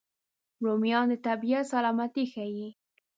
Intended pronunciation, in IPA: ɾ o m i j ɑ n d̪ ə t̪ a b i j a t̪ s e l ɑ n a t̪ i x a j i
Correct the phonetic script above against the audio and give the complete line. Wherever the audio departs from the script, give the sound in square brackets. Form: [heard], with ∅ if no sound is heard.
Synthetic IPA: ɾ o m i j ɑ n d̪ ə t̪ a b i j a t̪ s [a] l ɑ [m] a t̪ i x a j i